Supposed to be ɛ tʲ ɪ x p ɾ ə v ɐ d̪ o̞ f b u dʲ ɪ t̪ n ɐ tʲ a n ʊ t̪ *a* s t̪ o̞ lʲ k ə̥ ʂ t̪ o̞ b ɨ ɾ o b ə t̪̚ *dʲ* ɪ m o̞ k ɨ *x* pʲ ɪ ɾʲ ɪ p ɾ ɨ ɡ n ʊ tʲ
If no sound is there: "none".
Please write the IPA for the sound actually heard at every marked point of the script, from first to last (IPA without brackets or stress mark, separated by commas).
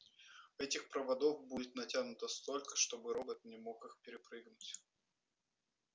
ə, nʲ, x